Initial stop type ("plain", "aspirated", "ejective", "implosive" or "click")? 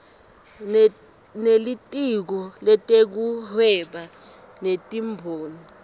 ejective